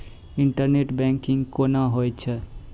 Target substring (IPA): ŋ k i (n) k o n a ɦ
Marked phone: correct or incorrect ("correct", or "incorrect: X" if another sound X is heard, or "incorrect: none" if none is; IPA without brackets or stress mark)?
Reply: incorrect: ŋ